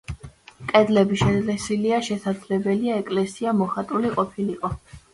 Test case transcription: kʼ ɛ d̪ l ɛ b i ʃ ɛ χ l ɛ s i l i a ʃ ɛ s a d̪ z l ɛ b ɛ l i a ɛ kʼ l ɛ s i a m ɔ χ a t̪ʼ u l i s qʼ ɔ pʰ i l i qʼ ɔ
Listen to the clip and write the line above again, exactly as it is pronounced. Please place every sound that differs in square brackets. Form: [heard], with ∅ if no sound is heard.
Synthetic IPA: kʼ ɛ d̪ l ɛ b i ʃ ɛ [∅] l ɛ s i l i a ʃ ɛ s a d̪ z l ɛ b ɛ l i a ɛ kʼ l ɛ s i a m ɔ χ a t̪ʼ u l i [∅] qʼ ɔ pʰ i l i qʼ ɔ